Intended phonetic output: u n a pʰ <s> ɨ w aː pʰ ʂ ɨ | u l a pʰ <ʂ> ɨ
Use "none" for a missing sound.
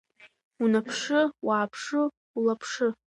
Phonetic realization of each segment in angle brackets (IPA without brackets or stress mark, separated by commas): ʂ, ʂ